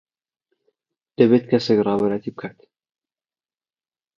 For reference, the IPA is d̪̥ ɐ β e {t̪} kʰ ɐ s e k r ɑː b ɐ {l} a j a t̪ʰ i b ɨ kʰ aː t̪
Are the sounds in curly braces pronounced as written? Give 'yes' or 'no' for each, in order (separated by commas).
yes, no